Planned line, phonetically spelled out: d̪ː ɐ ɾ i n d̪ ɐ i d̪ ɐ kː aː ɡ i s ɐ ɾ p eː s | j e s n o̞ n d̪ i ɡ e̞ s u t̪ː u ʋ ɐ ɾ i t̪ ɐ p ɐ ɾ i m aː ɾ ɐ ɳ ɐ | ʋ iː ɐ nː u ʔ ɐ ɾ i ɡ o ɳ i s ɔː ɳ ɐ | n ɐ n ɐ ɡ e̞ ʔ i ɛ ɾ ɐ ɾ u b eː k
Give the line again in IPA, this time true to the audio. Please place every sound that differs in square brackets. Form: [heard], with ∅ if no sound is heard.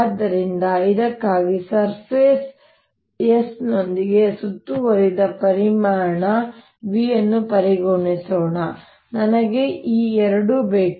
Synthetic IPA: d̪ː ɐ ɾ i n d̪ ɐ i d̪ ɐ kː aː ɡ i s ɐ ɾ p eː s | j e s n o̞ n d̪ i ɡ e̞ s u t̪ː u ʋ ɐ ɾ i [d̪] ɐ p ɐ ɾ i m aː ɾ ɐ ɳ ɐ | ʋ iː ɐ nː u [p] ɐ ɾ i ɡ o ɳ i s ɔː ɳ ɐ | n ɐ n ɐ ɡ e̞ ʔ [iː] ɛ ɾ ɐ [ɽ] u b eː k